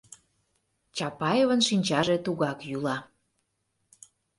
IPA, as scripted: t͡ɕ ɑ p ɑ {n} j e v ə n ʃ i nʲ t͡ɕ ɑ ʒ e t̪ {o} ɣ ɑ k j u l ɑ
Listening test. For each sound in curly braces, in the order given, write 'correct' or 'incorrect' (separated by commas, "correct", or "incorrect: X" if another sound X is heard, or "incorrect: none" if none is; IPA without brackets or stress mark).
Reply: incorrect: none, incorrect: u